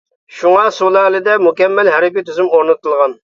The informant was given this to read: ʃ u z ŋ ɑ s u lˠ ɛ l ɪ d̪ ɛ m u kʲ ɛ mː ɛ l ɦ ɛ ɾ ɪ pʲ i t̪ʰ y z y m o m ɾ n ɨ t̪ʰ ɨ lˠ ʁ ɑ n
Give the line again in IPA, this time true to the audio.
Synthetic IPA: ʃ u ŋ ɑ s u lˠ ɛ l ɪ d̪ ɛ m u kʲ ɛ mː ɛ l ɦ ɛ ɾ ɪ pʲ i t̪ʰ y z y m o ɾ n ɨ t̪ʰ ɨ lˠ ʁ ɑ n